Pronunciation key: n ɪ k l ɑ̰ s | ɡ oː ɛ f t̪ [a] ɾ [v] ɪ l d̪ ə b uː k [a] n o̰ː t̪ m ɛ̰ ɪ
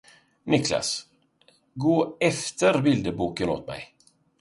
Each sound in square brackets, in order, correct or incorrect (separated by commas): incorrect, incorrect, incorrect